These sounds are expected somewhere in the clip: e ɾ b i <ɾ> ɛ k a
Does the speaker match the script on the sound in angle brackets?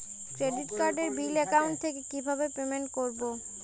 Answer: no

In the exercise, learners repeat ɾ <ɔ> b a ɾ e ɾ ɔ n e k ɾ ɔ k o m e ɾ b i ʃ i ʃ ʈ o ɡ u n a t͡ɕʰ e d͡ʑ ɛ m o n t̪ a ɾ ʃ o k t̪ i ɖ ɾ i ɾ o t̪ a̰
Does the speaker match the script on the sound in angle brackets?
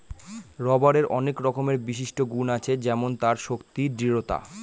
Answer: yes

